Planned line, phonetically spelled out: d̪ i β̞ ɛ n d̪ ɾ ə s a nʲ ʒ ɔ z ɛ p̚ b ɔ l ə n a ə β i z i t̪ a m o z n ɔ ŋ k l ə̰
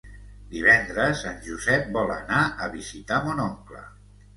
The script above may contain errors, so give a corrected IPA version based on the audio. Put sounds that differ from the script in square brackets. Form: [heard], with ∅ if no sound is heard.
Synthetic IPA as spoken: d̪ i β̞ ɛ n d̪ ɾ ə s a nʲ ʒ [u] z ɛ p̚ b ɔ l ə n a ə β i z i t̪ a m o [∅] n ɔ ŋ k l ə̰